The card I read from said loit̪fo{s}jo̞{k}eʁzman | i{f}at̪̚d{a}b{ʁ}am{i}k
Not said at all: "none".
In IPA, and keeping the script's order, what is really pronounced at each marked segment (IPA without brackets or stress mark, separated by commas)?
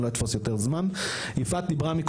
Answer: s, t, f, i, ʁ, i